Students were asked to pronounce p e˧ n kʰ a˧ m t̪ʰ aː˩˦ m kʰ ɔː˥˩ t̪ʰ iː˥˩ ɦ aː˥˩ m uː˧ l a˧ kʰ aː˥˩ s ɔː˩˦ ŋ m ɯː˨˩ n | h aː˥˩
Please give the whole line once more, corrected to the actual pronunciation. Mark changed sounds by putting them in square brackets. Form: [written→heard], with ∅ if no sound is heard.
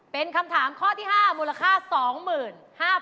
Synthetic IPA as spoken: p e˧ n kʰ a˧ m t̪ʰ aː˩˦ m kʰ ɔː˥˩ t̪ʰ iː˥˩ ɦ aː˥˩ m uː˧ l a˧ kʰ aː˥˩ s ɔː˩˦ ŋ m ɯː˨˩ n | h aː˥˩